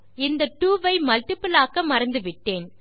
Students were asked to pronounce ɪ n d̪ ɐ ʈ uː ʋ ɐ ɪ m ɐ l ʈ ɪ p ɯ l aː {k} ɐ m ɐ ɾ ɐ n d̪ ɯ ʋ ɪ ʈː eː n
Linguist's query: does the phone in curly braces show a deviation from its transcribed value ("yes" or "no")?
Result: no